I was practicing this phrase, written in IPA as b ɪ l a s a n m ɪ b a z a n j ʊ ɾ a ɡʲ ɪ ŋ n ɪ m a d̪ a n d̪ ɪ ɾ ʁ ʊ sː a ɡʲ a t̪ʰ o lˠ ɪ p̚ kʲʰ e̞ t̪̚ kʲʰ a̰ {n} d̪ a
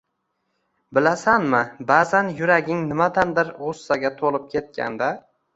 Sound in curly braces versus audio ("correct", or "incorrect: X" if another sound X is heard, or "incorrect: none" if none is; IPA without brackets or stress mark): correct